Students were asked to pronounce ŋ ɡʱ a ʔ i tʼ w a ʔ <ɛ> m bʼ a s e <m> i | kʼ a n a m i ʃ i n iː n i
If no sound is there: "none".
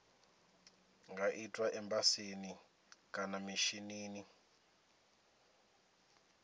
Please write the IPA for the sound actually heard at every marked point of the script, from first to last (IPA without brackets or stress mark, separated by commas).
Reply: ɛ, n